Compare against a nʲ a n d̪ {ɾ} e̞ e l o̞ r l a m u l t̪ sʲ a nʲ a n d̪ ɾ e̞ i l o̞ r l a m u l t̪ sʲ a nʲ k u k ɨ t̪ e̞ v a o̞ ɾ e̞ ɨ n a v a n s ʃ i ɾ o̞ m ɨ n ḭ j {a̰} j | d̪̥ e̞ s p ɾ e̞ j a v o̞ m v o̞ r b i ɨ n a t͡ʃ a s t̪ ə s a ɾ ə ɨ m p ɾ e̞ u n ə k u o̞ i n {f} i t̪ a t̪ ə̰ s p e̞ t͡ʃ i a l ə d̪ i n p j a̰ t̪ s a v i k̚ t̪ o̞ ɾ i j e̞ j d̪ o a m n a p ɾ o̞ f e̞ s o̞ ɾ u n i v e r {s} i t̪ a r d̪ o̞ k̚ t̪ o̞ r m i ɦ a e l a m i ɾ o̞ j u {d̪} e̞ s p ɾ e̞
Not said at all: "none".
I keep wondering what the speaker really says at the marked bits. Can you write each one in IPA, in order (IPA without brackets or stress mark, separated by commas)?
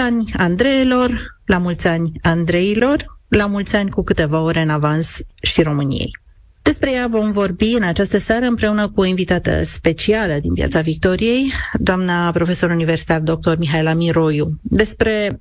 ɾ, ḛ, v, s, d̪